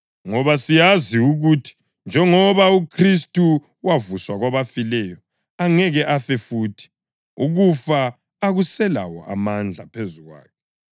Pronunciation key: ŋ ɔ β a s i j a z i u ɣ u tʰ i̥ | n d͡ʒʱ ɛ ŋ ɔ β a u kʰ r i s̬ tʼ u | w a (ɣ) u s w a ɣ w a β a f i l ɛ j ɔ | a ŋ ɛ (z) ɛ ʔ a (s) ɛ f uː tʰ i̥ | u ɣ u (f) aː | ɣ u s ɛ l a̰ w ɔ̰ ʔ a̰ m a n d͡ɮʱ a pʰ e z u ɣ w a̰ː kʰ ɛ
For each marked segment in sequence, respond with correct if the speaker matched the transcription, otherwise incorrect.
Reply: incorrect: v, incorrect: ɣ, incorrect: f, correct

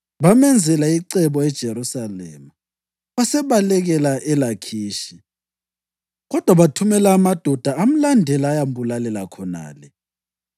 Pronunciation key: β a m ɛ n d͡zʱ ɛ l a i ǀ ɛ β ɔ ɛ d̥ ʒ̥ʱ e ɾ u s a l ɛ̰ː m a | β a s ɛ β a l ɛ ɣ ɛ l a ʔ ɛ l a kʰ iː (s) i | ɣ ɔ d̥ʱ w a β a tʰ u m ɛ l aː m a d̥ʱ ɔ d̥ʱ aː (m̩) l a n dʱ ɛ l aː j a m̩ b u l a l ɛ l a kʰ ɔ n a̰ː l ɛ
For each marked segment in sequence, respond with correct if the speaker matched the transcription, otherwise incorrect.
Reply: incorrect: ʃ, correct

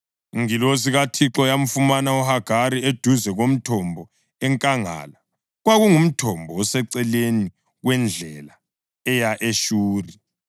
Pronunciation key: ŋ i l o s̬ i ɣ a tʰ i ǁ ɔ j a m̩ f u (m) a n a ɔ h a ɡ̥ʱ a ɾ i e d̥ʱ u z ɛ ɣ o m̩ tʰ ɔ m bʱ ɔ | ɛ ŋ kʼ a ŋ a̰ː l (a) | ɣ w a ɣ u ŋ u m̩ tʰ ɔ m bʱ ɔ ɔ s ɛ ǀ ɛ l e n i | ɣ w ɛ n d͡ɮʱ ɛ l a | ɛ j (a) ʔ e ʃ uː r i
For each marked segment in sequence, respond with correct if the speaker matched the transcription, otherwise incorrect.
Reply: correct, correct, correct

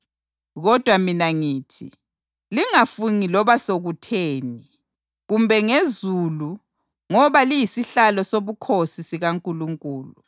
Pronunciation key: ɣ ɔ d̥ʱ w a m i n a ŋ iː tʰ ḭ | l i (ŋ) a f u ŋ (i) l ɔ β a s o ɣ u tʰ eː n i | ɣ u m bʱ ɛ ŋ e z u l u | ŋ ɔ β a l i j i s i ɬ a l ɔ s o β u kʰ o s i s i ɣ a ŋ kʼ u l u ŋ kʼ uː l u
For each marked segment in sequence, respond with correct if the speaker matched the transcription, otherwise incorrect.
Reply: correct, correct

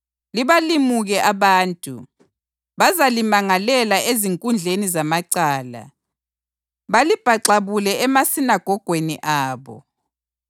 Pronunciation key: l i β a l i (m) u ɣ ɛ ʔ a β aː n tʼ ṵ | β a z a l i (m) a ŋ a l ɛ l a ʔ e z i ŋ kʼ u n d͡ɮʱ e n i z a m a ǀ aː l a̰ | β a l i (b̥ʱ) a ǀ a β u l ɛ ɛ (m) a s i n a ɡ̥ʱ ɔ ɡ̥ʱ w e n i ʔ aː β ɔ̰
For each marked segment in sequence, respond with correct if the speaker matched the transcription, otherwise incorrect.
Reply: correct, correct, correct, correct

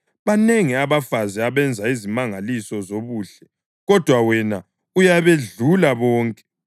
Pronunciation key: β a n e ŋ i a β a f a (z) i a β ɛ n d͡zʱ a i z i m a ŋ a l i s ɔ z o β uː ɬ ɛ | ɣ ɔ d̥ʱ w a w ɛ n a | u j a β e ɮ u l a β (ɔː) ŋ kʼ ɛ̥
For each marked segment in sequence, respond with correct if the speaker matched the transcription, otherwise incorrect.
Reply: correct, correct

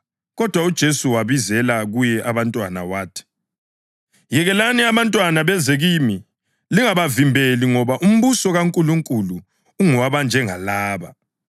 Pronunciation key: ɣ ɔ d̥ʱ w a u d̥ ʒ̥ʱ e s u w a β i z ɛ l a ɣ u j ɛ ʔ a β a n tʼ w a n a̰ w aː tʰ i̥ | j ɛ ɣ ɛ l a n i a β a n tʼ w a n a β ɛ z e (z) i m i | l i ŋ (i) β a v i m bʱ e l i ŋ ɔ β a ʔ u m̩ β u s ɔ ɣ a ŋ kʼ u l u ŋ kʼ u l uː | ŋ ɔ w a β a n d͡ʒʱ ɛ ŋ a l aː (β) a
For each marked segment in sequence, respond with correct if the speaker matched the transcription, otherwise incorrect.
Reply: incorrect: ɣ, incorrect: a, correct

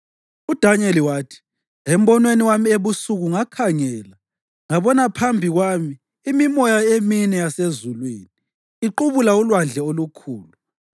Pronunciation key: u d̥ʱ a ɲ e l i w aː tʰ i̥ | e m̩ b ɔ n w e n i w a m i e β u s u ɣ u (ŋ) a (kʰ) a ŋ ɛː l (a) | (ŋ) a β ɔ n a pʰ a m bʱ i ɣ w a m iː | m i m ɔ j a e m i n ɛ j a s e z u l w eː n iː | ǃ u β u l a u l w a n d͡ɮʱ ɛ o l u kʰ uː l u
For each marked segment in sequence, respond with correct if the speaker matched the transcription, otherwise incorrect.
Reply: correct, correct, correct, correct

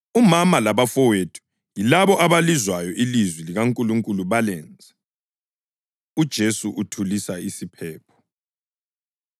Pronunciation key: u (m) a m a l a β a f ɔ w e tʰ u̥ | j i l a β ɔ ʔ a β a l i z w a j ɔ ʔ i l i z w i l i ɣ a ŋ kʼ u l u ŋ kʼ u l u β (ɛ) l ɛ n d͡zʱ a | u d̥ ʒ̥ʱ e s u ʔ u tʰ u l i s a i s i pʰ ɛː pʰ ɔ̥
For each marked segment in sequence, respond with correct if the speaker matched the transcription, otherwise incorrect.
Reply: correct, incorrect: a

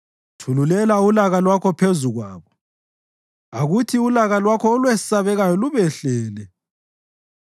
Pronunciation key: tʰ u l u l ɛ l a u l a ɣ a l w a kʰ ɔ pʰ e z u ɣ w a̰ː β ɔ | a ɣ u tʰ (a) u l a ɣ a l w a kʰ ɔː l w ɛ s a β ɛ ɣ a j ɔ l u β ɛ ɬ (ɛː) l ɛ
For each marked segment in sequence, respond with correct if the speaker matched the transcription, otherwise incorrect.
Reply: incorrect: i, correct

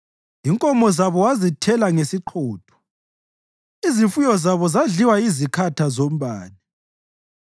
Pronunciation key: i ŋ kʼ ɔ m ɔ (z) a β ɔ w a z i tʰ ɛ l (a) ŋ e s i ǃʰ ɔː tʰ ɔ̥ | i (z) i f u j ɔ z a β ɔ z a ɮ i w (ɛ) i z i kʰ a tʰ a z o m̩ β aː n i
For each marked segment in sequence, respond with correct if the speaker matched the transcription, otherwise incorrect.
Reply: correct, correct, correct, incorrect: a

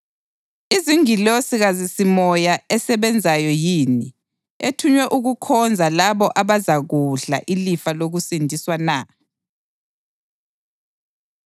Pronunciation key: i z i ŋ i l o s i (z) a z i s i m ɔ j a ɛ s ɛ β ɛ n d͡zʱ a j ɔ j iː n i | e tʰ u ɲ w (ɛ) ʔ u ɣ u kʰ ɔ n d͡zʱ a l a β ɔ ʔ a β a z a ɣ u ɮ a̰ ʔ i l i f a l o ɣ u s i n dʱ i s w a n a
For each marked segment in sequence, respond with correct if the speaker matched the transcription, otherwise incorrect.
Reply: incorrect: ɣ, correct

